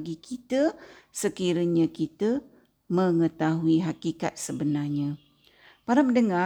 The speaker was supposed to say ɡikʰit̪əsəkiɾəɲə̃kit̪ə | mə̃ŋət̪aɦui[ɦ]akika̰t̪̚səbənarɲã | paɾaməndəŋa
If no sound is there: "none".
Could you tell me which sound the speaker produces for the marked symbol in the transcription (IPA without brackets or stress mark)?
ɦ